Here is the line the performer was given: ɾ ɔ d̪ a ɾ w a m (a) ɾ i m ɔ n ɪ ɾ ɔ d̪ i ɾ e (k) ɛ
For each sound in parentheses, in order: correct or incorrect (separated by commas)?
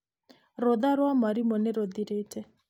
correct, incorrect